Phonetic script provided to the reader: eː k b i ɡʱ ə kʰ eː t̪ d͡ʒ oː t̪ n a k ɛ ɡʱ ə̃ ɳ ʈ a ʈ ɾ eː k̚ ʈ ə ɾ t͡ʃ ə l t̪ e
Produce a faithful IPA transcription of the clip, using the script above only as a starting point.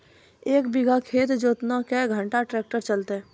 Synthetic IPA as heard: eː k b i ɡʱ a kʰ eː t̪ d͡ʒ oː t̪ n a k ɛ ɡʱ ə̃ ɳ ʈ a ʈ ɾ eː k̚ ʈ ə ɾ t͡ʃ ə l t̪ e